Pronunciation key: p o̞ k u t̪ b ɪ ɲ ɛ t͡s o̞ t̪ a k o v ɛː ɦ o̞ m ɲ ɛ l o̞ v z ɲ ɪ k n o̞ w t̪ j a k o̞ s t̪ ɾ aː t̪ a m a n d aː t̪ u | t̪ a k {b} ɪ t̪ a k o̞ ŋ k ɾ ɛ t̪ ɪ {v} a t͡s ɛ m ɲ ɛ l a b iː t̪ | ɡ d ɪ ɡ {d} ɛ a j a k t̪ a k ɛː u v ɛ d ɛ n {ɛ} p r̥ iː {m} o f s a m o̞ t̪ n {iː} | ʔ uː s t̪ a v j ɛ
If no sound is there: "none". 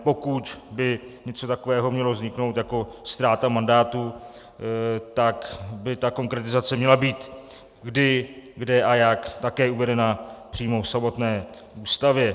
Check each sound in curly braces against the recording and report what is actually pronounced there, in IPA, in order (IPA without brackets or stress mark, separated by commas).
b, z, d, a, m, ɛː